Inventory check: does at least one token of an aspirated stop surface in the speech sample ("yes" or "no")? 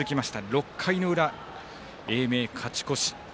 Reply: yes